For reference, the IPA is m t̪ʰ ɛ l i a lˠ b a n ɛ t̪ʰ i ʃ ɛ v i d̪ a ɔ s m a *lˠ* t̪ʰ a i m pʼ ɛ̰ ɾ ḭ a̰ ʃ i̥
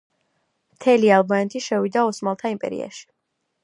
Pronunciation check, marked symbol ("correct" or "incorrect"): correct